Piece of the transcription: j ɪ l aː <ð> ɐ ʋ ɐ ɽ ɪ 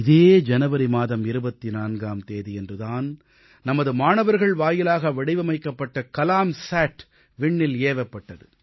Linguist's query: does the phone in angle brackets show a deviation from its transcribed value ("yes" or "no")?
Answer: yes